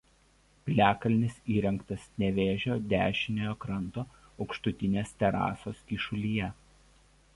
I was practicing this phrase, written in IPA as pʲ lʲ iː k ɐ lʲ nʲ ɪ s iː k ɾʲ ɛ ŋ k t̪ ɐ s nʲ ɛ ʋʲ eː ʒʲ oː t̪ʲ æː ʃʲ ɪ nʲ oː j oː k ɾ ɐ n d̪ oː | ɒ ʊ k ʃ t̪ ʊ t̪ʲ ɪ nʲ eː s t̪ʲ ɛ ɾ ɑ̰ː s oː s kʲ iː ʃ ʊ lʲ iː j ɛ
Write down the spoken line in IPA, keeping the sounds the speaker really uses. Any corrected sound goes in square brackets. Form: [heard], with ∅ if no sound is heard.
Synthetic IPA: pʲ lʲ [æː] k ɐ lʲ nʲ ɪ s iː [∅] ɾʲ ɛ ŋ k t̪ ɐ s nʲ ɛ ʋʲ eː ʒʲ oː [d̪ʲ] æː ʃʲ ɪ nʲ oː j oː k ɾ ɐ n [t̪] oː | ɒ ʊ k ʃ t̪ ʊ t̪ʲ ɪ nʲ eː s t̪ʲ ɛ ɾ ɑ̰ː s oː s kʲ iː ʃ ʊ lʲ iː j ɛ

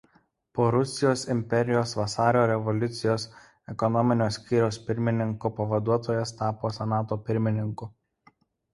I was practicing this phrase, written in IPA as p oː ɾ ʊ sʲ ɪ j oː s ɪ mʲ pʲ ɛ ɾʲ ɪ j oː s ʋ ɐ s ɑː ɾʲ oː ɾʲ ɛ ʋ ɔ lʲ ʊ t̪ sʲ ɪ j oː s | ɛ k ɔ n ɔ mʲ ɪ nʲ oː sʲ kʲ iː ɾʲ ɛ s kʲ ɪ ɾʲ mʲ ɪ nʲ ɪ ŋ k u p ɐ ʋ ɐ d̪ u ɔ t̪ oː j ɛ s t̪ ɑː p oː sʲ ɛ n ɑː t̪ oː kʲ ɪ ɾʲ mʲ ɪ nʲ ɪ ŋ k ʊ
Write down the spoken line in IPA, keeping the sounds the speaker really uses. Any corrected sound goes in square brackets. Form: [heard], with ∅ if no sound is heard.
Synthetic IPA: p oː ɾ ʊ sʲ ɪ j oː s ɪ mʲ pʲ ɛ ɾʲ ɪ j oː s ʋ ɐ s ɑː ɾʲ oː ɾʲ ɛ ʋ ɔ lʲ ʊ t̪ sʲ ɪ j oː s | ɛ k ɔ n ɔ mʲ ɪ nʲ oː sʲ kʲ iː ɾʲ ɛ s [pʲ] ɪ ɾʲ mʲ ɪ nʲ ɪ ŋ k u p ɐ ʋ ɐ d̪ u ɔ t̪ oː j ɛ s t̪ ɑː p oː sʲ ɛ n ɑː t̪ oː [pʲ] ɪ ɾʲ mʲ ɪ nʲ ɪ ŋ k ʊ

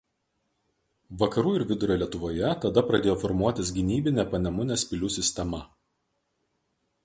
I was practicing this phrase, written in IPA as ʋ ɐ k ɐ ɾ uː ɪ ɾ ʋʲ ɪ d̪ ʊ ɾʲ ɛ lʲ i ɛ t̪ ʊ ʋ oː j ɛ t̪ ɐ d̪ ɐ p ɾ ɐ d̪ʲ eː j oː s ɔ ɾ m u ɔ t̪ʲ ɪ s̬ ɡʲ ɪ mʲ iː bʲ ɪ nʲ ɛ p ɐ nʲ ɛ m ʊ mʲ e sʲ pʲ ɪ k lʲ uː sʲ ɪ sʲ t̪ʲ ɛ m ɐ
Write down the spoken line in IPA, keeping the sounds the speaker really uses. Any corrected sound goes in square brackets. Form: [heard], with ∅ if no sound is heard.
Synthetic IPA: ʋ ɐ k ɐ ɾ uː ɪ ɾ ʋʲ ɪ d̪ ʊ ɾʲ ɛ lʲ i ɛ t̪ ʊ ʋ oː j ɛ t̪ ɐ d̪ ɐ p ɾ ɐ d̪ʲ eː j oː [f] ɔ ɾ m u ɔ t̪ʲ ɪ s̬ ɡʲ ɪ [nʲ] iː bʲ ɪ nʲ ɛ p ɐ nʲ ɛ m ʊ [nʲ] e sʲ pʲ ɪ [∅] lʲ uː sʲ ɪ sʲ t̪ʲ ɛ m ɐ

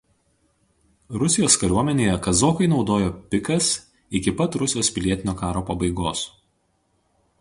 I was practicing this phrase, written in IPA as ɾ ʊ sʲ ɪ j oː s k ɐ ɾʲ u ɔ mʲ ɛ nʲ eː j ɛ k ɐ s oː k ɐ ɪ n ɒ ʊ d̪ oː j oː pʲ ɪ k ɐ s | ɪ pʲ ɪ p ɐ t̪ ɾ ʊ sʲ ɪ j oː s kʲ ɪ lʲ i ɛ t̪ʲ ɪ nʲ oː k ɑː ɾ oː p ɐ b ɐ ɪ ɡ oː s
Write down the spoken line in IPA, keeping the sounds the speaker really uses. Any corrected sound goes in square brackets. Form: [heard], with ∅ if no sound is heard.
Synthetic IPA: ɾ ʊ sʲ ɪ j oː s k ɐ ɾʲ u ɔ mʲ ɛ nʲ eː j ɛ k ɐ [z] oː k ɐ ɪ n ɒ ʊ d̪ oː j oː pʲ ɪ k ɐ s | ɪ [kʲ] ɪ p ɐ t̪ ɾ ʊ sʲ ɪ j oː s [pʲ] ɪ lʲ i ɛ t̪ʲ ɪ nʲ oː k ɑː ɾ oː p ɐ b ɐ ɪ ɡ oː s

